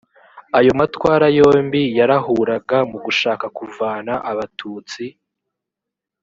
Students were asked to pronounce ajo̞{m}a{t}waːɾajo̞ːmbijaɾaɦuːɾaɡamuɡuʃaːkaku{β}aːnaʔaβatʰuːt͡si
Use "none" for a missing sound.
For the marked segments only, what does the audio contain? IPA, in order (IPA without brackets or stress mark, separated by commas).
m, t, v